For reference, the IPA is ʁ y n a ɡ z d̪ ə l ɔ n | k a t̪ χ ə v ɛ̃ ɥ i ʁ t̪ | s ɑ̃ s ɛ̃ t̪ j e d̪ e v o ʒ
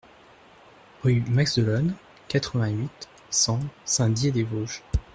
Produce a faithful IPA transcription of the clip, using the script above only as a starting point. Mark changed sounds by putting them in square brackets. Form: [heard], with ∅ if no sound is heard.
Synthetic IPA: ʁ y [m] a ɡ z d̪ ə l ɔ n | k a t̪ χ ə v ɛ̃ ɥ i [∅] t̪ | s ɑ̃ s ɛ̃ [d̪] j e d̪ e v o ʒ